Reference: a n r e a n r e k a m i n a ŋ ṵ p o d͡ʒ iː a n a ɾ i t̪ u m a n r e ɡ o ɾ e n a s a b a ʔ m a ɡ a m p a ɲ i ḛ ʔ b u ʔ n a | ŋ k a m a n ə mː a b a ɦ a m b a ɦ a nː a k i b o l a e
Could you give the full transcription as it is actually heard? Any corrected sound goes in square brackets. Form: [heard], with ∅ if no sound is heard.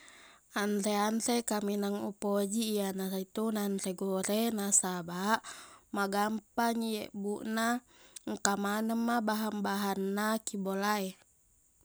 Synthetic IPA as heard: a n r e a n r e k a m i n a ŋ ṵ p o d͡ʒ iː a n a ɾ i t̪ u [n] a n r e ɡ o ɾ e n a s a b a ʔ m a ɡ a m p a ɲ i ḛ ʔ b u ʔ n a | ŋ k a m a n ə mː a b a ɦ a m b a ɦ a nː a k i b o l a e

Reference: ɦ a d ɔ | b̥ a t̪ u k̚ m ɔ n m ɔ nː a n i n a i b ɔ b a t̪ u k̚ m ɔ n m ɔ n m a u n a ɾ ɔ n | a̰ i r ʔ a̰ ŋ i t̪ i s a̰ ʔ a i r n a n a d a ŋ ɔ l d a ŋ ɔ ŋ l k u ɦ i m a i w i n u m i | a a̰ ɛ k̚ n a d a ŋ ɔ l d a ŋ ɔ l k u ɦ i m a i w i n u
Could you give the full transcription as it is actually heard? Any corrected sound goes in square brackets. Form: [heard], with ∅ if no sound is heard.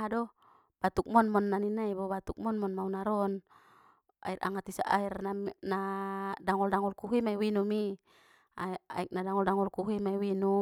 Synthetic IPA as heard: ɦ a d ɔ | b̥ a t̪ u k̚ m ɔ n m ɔ nː a n i n a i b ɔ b a t̪ u k̚ m ɔ n m ɔ n m a u n a ɾ ɔ n | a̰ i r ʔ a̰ ŋ [a] t̪ i s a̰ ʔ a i r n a n a d a ŋ ɔ l d a ŋ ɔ [∅] l k u ɦ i m a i w i n u m i | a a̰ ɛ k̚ n a d a ŋ ɔ l d a ŋ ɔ l k u ɦ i m a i w i n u

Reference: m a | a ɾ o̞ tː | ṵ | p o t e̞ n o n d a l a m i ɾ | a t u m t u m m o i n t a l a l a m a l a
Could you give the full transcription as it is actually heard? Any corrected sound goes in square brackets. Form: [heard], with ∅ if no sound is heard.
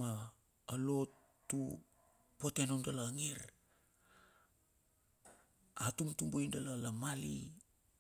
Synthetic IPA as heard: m a | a [l] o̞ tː | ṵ | p o t e̞ n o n d a l a [ŋ] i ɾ | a t u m t u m [b] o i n [d] a l a l a m a l [i]

